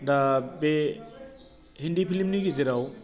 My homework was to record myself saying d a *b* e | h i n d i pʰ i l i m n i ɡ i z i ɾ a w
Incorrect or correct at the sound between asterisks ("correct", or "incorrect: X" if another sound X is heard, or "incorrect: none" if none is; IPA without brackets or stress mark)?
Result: correct